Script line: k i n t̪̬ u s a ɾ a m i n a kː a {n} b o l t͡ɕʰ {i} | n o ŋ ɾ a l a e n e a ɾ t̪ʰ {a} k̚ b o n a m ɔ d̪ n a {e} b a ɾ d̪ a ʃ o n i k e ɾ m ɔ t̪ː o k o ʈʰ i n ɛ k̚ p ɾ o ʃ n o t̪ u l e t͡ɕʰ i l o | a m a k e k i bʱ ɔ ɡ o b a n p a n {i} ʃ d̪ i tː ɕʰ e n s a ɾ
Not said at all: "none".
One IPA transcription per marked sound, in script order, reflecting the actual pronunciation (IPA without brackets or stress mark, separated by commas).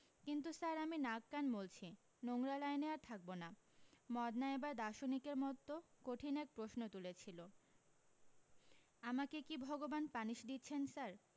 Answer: n, i, a, e, i